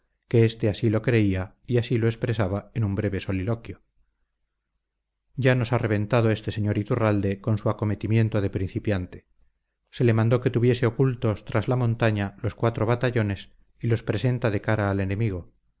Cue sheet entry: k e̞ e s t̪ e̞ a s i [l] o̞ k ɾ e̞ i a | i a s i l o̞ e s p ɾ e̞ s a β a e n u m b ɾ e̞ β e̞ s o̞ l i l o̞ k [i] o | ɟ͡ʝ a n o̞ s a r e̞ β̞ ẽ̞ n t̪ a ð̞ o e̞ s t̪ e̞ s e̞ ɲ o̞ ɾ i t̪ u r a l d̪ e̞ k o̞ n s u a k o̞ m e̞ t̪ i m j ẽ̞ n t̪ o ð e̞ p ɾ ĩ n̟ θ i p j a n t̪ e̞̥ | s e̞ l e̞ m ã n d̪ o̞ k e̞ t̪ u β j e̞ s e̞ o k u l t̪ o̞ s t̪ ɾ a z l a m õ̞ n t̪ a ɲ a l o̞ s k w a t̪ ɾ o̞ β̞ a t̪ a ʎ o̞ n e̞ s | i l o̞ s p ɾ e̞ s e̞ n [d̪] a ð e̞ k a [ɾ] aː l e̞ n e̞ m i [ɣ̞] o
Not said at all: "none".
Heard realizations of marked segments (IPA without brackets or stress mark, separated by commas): l, j, t̪, ɾ, ɣ̞